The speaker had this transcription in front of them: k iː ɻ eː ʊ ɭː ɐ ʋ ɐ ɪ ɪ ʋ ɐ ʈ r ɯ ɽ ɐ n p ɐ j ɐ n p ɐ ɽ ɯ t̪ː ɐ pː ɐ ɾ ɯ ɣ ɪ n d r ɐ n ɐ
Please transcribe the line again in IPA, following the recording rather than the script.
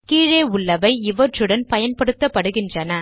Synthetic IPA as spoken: k iː ɻ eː ʊ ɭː ɐ ʋ ɐ ɪ ɪ ʋ ɐ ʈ r ɯ ɽ ɐ n p ɐ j ɐ n p ɐ ɽ ɯ t̪ː ɐ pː ɐ ɽ ɯ ɣ ɪ n d r ɐ n ɐ

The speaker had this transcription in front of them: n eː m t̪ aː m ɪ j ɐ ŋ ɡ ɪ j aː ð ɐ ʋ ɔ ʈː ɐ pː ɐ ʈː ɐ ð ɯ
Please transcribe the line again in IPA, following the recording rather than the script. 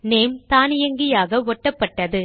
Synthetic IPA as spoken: n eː m t̪ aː n ɪ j ɐ ŋ ɡ ɪ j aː ɣ ɐ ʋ ɔ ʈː ɐ pː ɐ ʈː ɐ ð ɯ

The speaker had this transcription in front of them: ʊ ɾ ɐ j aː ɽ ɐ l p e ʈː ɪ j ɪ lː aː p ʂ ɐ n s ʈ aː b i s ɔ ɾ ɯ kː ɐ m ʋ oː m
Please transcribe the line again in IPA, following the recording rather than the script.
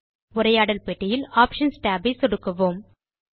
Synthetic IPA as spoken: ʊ ɾ ɐ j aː ɽ ɐ l p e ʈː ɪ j ɪ l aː p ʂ ɐ n s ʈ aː b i s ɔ ɽ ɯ kː ɐ ʋ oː m

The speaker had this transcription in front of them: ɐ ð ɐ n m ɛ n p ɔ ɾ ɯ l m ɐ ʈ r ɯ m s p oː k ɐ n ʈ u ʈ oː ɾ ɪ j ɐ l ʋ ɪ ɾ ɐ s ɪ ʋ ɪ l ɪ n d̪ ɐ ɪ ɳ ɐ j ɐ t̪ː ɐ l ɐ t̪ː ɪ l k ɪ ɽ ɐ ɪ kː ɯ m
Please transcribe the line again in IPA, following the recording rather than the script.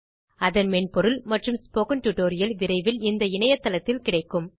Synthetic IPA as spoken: ɐ ð ɐ n m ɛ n p ɔ ɾ ɯ l m ɐ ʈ r ɯ m s p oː k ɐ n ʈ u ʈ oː ɾ ɪ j ɐ l ʋ ɪ ɾ ɐ ɪ ʋ ɪ l ɪ n d̪ ɐ ɪ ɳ ɐ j ɐ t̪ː ɐ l ɐ t̪ː ɪ l k ɪ ɽ ɐ ɪ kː ɯ m

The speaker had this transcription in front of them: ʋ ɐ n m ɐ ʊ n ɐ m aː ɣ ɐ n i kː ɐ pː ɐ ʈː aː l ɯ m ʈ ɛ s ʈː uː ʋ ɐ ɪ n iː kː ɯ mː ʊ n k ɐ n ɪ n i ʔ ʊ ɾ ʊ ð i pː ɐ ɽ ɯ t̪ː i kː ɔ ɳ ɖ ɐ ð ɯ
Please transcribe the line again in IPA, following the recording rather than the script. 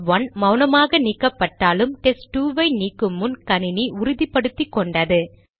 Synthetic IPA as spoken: ʋ ɐ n m ɐ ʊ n ɐ m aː ɣ ɐ n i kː ɐ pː ɐ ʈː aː l ɯ m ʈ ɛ s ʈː uː ʋ ɐ ɪ n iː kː ɯ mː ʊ n k ɐ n ɪ n i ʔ ʊ ɾ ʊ ð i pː ɐ ɽ ɯ t̪ː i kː ɔ ɳ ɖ ɐ ð ɯ

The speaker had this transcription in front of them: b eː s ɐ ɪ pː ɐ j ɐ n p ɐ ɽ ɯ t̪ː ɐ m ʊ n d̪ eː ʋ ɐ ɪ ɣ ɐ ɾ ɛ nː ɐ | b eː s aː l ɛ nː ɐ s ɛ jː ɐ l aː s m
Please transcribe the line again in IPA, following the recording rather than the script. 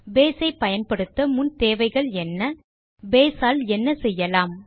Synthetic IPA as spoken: b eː s ɐ ɪ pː ɐ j ɐ n p ɐ ɽ ɯ t̪ː ɐ m ʊ n t̪ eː ʋ ɐ ɪ ɣ ɐ ɭ ɛ nː ɐ | b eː s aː l ɛ nː ɐ s ɛ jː ɐ l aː m

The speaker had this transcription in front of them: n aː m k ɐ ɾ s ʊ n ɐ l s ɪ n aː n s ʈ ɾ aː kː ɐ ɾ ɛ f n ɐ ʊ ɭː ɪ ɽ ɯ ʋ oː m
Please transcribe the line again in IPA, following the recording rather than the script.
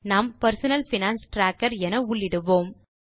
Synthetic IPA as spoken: n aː m p ɐ ɾ s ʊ n ɐ l f ɪ n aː n s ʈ ɾ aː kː ɐ ɾ ɛ n ɐ ʊ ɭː ɪ ɽ ɯ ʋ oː m

